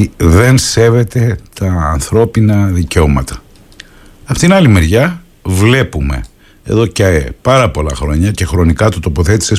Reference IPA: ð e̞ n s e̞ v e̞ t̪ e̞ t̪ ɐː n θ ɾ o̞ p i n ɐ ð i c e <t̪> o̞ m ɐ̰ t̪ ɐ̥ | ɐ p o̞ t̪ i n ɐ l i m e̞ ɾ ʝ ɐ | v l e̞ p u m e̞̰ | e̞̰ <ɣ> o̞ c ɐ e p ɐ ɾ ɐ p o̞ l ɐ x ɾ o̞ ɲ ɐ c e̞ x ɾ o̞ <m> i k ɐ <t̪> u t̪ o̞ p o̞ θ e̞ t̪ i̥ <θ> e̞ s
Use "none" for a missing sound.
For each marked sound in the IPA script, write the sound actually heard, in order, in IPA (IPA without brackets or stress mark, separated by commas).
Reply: none, ð, n, t̪, s